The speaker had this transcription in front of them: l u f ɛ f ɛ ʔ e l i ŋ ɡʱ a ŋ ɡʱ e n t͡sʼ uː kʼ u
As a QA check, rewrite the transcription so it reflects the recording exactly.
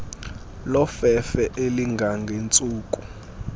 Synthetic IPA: l ɔ f ɛ f ɛ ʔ e l i ŋ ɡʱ a ŋ ɡʱ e n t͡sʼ uː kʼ u